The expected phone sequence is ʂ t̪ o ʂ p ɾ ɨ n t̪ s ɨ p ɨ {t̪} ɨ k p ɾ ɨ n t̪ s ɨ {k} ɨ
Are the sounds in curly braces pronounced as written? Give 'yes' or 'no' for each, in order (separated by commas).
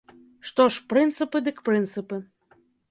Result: no, no